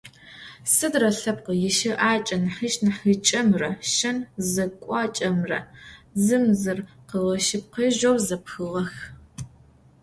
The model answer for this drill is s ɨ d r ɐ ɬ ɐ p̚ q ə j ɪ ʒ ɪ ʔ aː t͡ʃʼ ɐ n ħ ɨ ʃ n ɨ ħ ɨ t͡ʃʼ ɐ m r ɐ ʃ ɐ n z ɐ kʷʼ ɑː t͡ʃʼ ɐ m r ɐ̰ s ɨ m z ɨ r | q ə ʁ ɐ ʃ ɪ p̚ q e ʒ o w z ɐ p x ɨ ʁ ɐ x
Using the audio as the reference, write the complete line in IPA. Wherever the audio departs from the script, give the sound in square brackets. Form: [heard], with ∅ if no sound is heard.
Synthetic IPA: s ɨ d r ɐ ɬ ɐ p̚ q ə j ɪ [ʃ] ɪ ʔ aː t͡ʃʼ ɐ n ħ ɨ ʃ n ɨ ħ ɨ t͡ʃʼ ɐ m r ɐ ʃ ɐ n z ɐ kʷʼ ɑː t͡ʃʼ ɐ m r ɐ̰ [z] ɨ m z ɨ r | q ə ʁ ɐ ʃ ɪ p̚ q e ʒ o w z ɐ p x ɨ ʁ ɐ x